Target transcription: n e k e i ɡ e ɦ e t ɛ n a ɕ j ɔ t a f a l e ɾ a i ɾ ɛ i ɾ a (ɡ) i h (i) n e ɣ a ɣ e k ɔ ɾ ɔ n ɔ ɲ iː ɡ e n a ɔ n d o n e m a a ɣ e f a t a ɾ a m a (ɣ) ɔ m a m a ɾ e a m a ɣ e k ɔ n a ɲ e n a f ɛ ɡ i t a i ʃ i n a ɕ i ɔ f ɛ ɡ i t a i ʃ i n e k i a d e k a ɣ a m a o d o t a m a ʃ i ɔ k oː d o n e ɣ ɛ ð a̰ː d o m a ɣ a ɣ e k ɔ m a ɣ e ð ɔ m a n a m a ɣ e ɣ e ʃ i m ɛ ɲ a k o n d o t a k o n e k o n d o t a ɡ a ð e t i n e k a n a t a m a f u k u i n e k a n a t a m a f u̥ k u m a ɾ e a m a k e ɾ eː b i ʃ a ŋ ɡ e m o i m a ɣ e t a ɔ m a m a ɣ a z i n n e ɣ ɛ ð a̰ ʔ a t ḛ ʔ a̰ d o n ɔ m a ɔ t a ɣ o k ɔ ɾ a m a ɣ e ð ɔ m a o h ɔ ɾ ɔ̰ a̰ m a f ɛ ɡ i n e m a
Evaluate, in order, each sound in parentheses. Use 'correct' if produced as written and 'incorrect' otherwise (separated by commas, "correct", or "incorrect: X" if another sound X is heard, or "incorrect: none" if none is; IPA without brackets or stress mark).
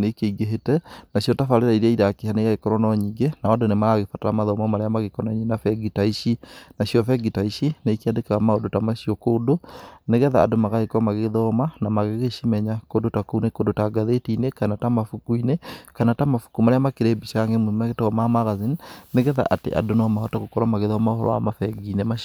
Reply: incorrect: k, incorrect: a, incorrect: ð